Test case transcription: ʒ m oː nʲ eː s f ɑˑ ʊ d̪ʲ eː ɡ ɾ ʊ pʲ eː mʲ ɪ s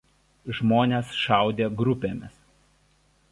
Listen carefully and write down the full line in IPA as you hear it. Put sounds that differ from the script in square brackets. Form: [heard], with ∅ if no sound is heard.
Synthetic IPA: ʒ m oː nʲ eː s [ʃ] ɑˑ ʊ d̪ʲ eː ɡ ɾ ʊ pʲ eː mʲ ɪ s